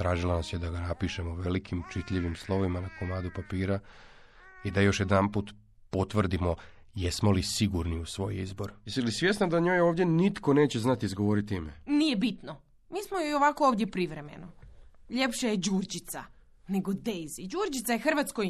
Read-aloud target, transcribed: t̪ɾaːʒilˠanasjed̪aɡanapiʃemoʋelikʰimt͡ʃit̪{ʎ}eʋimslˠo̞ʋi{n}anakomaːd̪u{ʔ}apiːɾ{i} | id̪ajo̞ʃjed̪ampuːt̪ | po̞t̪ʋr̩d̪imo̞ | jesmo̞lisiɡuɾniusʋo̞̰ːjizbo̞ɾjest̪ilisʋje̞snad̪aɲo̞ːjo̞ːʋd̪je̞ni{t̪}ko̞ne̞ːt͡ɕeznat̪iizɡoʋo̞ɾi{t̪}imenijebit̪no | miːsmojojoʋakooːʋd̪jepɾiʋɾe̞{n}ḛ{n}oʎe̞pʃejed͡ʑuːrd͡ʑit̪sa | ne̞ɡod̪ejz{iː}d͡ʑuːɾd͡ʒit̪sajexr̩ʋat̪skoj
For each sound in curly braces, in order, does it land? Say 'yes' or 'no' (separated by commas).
yes, no, no, no, yes, yes, no, yes, no